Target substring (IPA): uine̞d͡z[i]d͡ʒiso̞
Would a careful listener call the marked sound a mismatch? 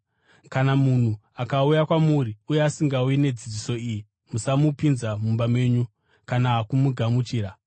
no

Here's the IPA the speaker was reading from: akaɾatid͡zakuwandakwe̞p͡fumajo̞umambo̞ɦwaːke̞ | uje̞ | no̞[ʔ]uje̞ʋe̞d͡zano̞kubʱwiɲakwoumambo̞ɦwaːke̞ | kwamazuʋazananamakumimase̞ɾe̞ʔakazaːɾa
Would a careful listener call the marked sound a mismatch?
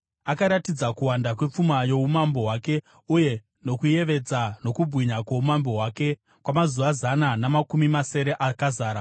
yes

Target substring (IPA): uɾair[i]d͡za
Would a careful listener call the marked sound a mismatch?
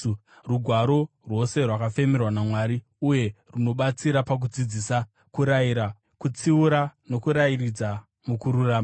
no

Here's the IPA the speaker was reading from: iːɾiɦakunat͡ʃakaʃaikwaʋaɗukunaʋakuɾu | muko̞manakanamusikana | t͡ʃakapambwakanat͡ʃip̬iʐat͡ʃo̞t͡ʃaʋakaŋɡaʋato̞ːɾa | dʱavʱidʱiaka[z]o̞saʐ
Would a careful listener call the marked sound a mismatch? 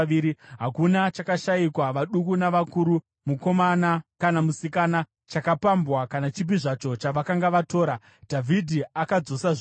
yes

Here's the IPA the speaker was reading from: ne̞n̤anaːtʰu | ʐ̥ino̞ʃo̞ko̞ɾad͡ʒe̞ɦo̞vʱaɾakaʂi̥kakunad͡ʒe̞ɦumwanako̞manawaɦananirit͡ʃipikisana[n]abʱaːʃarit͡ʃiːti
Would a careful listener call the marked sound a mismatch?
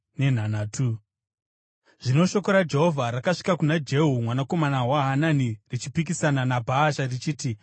no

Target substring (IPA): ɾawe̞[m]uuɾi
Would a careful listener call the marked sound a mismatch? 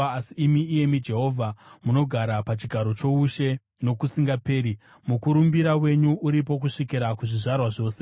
yes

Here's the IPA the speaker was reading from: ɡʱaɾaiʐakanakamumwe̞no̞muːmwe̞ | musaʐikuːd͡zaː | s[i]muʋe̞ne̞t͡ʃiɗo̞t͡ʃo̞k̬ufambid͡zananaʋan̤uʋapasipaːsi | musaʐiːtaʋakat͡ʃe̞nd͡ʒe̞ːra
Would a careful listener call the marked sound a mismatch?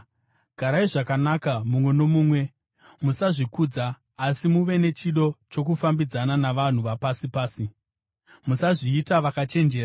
no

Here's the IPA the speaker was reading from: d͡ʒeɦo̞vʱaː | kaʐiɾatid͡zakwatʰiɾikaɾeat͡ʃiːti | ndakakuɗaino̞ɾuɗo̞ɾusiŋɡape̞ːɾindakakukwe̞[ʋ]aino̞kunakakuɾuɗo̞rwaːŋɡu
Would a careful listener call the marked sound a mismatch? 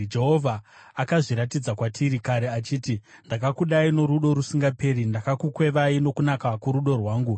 no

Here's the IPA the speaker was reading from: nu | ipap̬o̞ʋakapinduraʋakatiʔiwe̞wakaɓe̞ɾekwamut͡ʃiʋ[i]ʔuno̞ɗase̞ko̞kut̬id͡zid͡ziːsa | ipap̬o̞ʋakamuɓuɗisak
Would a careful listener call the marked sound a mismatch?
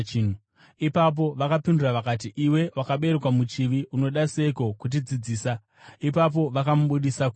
no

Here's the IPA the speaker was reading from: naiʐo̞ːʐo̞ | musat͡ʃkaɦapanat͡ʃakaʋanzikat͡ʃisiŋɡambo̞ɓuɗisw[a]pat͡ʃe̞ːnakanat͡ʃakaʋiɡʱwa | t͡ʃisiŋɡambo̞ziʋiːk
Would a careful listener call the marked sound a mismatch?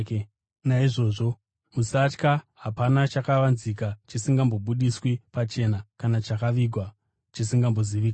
yes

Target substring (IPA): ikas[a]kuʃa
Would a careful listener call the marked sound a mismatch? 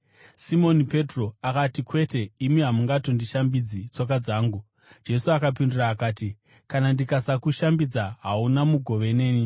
no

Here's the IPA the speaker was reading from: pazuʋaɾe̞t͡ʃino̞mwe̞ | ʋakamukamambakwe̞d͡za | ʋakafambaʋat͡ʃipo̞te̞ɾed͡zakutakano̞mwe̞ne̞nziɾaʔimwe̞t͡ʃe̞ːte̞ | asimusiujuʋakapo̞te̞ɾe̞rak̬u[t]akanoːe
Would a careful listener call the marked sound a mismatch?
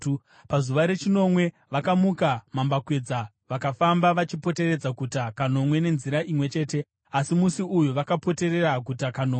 no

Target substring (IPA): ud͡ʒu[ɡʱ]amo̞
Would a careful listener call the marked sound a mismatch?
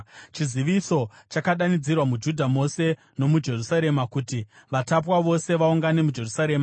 yes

